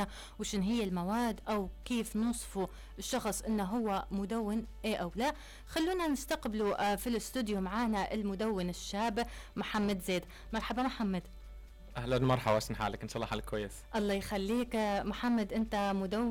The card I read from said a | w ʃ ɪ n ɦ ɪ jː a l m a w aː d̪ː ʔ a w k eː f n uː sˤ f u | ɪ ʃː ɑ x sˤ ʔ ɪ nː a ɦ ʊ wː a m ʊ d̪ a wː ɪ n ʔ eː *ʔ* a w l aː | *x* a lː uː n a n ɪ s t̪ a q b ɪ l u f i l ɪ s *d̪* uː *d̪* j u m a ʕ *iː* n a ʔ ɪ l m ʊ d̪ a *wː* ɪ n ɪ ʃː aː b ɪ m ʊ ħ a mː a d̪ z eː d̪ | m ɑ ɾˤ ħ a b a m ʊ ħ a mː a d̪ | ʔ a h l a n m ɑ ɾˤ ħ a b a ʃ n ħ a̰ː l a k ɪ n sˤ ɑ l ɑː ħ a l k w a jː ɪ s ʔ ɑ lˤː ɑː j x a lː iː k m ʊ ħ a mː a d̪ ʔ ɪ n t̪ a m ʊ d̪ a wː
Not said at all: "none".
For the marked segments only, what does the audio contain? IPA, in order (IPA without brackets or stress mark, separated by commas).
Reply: ʔ, x, t̪, d̪, aː, wː